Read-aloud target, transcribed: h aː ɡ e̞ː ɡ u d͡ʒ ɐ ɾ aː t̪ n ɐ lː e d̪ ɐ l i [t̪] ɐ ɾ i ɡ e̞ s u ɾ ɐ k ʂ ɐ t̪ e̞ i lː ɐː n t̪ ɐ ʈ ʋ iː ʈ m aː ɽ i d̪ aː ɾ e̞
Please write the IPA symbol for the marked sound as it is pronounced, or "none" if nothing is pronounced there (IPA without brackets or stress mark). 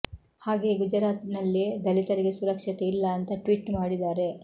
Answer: t̪